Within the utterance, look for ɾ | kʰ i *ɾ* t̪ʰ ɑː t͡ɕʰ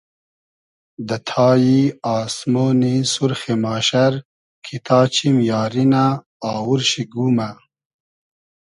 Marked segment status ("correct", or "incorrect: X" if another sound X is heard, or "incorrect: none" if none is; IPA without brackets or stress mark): incorrect: none